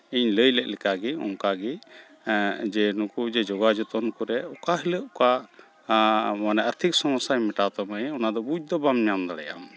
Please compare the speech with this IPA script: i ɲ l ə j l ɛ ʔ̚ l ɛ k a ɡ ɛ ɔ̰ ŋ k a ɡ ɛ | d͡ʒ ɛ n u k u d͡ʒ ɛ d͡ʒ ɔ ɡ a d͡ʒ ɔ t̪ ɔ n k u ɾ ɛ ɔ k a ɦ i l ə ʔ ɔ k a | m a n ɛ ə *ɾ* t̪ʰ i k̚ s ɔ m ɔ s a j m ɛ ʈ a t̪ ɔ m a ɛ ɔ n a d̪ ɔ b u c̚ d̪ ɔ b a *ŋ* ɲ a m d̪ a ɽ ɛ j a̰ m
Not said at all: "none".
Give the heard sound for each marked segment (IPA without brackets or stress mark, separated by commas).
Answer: ɾ, m